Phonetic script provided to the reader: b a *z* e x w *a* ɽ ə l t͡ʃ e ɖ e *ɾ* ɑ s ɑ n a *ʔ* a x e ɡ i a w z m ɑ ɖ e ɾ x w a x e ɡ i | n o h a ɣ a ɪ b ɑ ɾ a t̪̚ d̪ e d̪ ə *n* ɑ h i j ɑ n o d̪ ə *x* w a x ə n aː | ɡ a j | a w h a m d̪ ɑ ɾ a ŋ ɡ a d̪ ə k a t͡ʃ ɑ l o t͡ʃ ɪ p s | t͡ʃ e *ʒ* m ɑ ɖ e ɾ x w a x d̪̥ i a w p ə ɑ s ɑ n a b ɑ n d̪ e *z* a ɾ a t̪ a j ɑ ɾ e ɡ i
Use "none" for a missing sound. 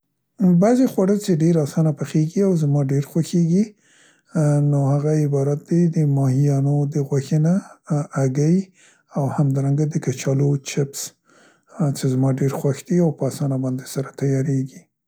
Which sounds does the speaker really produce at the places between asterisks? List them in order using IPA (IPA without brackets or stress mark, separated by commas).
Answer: z, a, ɾ, p, m, ɣ, z, s